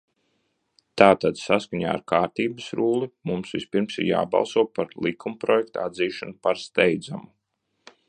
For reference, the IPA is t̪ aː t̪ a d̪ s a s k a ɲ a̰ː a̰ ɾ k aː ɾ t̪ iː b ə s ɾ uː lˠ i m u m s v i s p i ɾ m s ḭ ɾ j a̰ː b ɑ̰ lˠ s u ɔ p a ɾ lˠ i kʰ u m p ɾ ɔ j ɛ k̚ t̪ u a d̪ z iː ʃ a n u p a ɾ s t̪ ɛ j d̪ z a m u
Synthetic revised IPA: t̪ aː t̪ a d̪ s a s k a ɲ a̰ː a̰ ɾ k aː ɾ t̪ iː b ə s ɾ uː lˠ i m u m s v i s p i ɾ m s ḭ ɾ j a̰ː b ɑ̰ lˠ s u ɔ p a ɾ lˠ i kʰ u m p ɾ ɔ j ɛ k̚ t̪ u a d̪ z iː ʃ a n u p a ɾ s t̪ ɛ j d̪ z a m u